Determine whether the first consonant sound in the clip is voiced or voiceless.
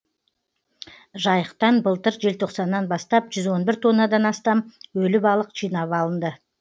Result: voiced